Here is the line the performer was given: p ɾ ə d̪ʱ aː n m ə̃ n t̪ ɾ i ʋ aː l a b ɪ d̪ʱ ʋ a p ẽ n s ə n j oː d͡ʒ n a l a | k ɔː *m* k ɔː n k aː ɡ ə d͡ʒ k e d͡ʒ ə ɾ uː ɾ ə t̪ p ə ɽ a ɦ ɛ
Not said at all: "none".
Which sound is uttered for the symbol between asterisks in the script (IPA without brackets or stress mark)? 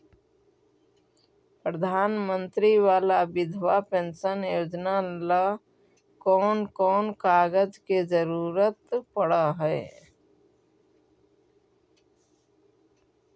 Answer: n